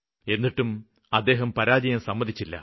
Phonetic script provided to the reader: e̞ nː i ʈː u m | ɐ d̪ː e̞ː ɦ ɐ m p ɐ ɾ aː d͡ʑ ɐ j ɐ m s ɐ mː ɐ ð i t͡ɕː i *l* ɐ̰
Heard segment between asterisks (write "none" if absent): lː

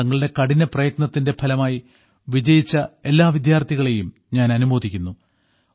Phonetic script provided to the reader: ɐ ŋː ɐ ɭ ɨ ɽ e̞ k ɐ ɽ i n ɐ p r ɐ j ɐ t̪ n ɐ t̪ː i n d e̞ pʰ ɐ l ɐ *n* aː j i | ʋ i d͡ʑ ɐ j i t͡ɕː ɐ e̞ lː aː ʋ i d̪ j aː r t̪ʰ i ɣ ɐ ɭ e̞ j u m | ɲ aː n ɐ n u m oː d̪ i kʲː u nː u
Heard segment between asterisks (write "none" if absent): m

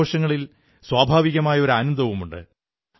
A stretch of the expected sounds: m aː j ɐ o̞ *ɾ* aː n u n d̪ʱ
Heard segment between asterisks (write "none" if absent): ɾ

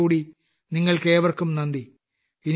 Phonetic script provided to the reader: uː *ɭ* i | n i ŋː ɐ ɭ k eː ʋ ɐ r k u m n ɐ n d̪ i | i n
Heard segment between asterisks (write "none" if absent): ɽ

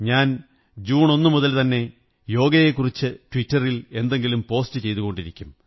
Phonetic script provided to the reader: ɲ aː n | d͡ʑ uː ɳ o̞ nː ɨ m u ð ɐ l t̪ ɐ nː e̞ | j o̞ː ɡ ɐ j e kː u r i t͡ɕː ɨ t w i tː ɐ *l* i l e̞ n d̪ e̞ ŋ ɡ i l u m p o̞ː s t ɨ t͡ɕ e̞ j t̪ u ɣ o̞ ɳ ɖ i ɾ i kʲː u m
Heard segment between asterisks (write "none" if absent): r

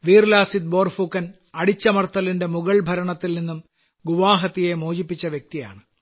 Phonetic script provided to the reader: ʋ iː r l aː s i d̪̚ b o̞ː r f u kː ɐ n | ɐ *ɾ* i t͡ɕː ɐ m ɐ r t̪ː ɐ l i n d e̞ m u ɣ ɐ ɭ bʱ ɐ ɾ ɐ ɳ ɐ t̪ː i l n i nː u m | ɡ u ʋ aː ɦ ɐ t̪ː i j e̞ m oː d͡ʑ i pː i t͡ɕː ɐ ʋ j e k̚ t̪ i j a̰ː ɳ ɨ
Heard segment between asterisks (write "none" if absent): ɽ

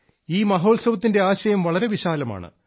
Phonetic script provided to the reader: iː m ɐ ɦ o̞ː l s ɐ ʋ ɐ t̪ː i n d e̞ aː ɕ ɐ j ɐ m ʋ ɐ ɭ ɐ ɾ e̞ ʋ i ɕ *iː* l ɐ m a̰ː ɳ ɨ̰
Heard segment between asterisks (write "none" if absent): aː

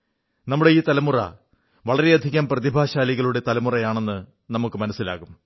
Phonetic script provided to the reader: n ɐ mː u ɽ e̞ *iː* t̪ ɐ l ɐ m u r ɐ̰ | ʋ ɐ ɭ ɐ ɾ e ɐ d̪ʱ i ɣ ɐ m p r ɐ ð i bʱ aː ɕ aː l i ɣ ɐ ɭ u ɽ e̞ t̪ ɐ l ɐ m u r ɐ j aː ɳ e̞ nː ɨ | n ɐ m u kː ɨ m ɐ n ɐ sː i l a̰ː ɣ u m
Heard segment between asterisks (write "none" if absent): iː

